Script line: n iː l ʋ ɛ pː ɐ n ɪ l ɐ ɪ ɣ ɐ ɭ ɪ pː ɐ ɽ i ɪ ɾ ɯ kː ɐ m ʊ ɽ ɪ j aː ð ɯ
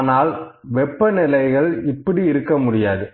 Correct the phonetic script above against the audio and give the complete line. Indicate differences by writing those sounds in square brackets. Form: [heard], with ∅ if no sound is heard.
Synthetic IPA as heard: n [aː] l ʋ ɛ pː ɐ n ɪ l ɐ ɪ ɣ ɐ ɭ ɪ pː ɐ ɽ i ɪ ɾ ɯ kː ɐ m ʊ ɽ ɪ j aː ð ɯ